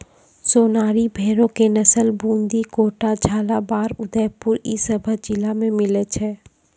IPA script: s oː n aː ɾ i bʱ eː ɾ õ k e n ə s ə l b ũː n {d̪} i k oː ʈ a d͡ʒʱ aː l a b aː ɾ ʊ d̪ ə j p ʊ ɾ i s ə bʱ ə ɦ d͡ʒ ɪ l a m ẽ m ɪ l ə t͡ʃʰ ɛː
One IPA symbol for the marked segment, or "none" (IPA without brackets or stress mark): d̪